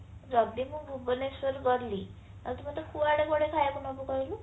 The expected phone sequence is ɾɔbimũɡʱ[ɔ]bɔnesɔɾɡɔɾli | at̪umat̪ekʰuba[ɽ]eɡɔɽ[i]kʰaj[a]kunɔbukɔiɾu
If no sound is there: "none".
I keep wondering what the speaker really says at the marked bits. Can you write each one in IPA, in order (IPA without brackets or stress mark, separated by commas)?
u, ɽ, e, a